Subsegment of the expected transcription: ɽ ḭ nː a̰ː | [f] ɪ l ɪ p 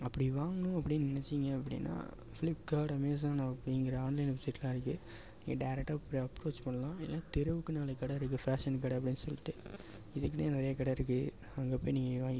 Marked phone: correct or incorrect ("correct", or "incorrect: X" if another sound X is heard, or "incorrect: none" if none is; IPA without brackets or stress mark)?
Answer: correct